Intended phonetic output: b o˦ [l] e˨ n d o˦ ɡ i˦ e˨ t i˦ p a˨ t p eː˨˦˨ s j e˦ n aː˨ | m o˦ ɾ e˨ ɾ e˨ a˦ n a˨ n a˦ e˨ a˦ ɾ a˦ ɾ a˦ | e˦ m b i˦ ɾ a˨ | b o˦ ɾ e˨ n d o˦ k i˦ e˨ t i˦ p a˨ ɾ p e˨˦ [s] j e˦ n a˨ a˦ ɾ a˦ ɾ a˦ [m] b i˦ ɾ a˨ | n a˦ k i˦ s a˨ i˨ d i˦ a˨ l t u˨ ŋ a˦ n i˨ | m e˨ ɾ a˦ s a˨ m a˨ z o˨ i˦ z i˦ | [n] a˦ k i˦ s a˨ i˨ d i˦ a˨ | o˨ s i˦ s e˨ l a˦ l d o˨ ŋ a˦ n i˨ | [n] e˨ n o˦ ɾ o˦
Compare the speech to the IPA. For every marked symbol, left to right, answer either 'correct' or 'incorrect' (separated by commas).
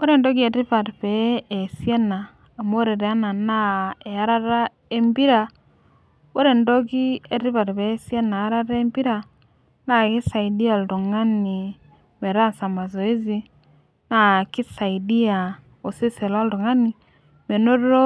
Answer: incorrect, correct, correct, correct, incorrect